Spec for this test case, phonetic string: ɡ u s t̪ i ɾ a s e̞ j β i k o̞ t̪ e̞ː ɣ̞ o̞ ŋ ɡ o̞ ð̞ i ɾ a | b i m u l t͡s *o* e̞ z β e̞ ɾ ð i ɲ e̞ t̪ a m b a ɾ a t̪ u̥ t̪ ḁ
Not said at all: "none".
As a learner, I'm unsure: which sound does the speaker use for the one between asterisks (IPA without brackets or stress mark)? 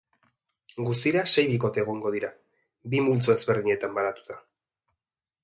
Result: o